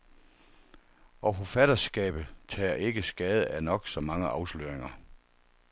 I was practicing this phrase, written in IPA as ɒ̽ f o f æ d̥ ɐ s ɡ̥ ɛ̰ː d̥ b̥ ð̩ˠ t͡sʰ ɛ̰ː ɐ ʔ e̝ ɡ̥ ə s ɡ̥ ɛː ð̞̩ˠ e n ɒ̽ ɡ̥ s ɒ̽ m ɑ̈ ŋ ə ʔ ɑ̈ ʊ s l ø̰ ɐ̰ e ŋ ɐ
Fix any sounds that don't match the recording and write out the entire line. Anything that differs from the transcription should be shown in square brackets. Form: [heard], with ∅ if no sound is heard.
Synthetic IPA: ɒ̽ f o f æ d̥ ɐ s ɡ̥ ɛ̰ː [∅] b̥ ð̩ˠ t͡sʰ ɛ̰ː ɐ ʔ e̝ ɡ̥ ə s ɡ̥ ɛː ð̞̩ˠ [æ] n ɒ̽ ɡ̥ s ɒ̽ m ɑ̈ ŋ ə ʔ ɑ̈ ʊ s l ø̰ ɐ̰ e ŋ ɐ